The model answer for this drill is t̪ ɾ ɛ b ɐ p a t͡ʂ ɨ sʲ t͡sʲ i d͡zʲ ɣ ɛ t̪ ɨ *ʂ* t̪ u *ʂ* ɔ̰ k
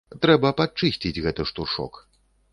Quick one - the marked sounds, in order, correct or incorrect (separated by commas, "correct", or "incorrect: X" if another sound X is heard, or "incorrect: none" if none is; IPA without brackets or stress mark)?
correct, correct